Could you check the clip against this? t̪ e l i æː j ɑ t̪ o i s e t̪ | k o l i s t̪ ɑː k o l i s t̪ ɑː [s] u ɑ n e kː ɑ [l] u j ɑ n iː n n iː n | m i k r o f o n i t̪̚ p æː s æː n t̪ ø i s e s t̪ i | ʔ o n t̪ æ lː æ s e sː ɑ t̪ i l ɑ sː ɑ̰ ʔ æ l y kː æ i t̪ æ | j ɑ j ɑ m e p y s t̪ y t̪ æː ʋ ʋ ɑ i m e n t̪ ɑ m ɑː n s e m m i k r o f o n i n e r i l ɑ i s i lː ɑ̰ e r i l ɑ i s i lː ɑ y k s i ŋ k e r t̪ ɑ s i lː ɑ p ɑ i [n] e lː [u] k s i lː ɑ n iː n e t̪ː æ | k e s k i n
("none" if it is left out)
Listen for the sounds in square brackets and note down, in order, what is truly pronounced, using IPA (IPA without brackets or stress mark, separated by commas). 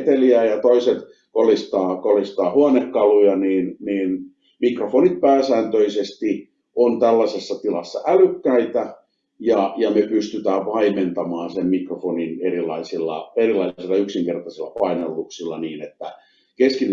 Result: h, l, n, u